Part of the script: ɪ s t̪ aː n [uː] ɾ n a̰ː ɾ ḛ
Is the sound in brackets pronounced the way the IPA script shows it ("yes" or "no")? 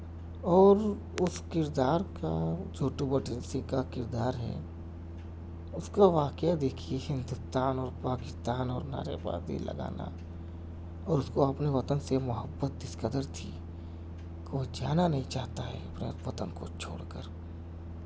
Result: no